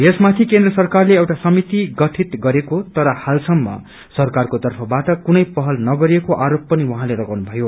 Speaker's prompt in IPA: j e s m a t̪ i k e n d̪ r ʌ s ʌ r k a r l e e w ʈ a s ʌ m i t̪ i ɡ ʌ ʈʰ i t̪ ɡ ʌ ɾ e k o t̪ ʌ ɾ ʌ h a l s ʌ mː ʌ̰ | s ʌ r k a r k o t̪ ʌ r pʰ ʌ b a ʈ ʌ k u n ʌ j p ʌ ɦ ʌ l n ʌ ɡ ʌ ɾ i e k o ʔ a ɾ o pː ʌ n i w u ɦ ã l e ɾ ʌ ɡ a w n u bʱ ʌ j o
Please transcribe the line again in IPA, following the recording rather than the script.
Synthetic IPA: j e s m a t̪ʰ i k e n d̪ r ʌ s ʌ r k a r l e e w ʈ a s ʌ m i t̪ i ɡ ʌ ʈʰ i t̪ ɡ ʌ ɾ e k o t̪ ʌ ɾ ʌ h a l s ʌ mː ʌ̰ | s ʌ r k a r k o t̪ ʌ r pʰ ʌ b a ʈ ʌ k u n ʌ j p ʌ ɦ ʌ l n ʌ ɡ ʌ ɾ i e k o ʔ a ɾ o pː ʌ n i w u ɦ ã l e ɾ ʌ ɡ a w n u bʱ ʌ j o